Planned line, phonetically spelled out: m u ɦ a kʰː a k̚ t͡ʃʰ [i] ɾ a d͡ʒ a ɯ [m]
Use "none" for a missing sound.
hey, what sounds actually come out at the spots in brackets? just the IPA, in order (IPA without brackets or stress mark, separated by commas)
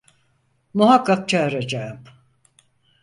a, m